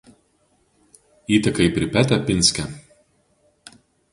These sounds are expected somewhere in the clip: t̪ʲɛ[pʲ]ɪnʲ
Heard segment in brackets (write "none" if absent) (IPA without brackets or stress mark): pʲ